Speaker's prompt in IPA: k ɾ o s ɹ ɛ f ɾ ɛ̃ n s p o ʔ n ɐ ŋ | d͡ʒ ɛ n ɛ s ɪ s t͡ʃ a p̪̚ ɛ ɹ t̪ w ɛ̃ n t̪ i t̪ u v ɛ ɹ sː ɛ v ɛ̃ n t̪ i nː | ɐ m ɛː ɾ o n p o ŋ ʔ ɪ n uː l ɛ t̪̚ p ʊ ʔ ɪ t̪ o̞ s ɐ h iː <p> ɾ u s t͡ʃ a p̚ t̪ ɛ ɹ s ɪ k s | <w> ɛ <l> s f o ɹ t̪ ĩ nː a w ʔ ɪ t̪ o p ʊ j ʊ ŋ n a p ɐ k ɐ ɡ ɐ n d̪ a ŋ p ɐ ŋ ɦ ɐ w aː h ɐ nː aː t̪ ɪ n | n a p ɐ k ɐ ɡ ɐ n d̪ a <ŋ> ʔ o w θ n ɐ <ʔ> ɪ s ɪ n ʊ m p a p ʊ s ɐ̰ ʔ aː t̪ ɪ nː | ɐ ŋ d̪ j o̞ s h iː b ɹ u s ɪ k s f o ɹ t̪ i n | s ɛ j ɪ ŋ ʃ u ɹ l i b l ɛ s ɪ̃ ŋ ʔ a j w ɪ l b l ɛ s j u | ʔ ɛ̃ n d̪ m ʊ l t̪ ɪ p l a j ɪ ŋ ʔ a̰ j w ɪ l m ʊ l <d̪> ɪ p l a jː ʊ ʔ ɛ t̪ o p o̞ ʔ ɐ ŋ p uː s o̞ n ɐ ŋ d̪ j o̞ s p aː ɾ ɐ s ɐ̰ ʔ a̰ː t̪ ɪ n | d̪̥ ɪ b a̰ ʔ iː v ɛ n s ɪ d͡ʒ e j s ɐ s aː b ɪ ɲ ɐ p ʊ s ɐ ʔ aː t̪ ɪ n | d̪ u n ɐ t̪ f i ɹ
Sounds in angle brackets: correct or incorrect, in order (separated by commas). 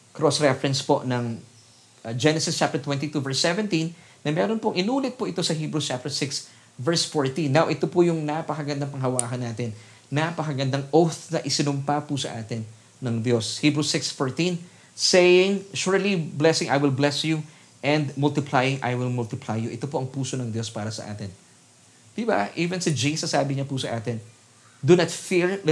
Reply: incorrect, incorrect, incorrect, correct, correct, incorrect